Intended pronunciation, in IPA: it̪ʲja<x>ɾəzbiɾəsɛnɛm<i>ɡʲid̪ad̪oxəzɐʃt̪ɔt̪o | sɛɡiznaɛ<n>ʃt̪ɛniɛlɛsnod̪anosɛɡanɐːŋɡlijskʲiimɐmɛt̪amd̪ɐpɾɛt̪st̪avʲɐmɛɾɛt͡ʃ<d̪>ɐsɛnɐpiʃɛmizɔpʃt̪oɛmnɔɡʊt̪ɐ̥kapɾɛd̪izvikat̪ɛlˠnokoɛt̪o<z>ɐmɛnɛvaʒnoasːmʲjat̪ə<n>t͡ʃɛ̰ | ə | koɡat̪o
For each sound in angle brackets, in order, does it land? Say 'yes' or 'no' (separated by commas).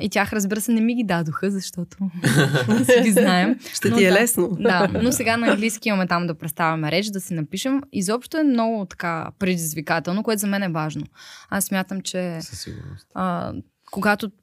yes, yes, no, yes, yes, no